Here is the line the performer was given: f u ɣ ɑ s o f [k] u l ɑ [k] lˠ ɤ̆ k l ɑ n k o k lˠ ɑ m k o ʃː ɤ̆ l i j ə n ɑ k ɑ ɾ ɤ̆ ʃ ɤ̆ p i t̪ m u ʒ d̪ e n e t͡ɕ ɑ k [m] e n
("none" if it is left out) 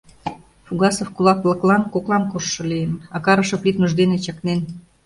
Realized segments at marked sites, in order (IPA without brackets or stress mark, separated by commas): k, k, n